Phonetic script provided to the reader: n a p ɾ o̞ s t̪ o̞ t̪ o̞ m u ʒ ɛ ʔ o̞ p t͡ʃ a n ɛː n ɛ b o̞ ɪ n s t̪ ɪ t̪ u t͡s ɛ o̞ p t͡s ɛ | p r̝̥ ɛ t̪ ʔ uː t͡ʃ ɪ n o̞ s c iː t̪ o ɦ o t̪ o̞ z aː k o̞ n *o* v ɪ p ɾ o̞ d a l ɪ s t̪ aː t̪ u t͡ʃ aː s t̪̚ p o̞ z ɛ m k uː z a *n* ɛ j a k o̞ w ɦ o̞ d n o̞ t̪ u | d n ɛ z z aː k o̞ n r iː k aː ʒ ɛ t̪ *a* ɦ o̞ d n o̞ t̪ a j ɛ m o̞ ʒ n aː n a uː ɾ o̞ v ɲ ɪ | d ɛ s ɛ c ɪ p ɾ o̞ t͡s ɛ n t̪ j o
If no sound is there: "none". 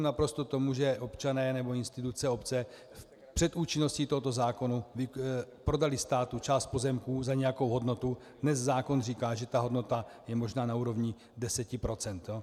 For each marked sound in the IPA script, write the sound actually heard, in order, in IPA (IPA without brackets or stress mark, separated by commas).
u, ɲ, a